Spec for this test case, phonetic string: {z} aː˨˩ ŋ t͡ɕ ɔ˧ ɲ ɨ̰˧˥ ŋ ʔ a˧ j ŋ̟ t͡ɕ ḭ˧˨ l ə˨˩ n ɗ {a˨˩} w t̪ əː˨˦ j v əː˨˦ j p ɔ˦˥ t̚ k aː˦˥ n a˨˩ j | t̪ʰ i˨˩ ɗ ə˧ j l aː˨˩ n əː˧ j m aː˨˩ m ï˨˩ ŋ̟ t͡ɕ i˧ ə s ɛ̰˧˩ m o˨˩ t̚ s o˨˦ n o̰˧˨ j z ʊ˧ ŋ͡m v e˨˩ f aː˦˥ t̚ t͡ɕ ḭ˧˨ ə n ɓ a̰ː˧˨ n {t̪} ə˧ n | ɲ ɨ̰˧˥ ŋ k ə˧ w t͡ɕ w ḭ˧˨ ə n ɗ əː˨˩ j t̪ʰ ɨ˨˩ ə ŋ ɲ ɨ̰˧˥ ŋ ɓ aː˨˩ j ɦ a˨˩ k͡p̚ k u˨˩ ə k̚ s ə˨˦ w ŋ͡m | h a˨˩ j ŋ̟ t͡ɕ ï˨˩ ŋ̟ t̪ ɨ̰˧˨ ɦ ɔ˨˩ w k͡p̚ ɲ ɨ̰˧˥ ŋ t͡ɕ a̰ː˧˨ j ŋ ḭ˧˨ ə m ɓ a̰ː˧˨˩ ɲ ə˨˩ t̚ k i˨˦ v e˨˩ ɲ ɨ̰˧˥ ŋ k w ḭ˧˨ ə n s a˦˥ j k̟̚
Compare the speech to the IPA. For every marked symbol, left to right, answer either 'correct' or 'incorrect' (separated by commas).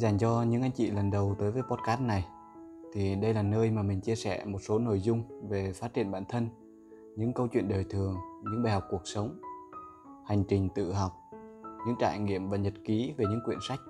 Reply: correct, incorrect, incorrect